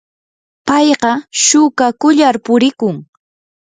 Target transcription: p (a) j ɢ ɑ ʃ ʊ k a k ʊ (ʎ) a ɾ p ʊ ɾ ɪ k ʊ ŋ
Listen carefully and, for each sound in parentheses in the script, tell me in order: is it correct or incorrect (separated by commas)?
incorrect, correct